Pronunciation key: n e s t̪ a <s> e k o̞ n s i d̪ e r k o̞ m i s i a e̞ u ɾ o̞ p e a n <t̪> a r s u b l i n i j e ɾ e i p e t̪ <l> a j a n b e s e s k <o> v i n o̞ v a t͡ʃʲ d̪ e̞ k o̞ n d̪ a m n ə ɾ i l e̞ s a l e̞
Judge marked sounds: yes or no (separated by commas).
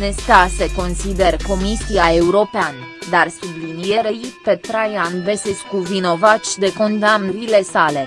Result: yes, no, no, no